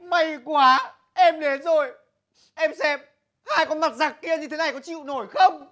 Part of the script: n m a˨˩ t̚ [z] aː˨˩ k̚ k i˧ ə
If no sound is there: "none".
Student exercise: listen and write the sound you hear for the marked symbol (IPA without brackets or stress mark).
z